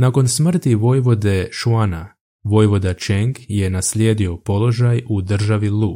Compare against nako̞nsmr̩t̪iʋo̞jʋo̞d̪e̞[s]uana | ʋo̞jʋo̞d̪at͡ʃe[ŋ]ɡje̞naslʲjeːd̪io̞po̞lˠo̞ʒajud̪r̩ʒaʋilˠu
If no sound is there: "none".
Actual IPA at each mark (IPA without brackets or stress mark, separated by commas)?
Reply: ʃ, ŋ